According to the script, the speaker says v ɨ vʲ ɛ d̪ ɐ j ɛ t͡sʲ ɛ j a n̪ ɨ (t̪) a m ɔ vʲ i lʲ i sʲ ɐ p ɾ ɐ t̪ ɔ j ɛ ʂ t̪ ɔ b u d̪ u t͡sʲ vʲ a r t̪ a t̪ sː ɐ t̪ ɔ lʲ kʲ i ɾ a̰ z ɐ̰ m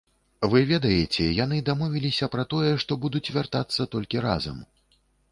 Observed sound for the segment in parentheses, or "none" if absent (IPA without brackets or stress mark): d̪